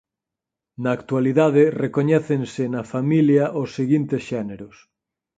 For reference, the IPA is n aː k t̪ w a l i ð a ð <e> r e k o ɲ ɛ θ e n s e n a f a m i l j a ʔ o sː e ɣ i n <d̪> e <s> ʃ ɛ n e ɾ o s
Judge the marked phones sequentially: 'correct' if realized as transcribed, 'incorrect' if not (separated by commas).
correct, incorrect, correct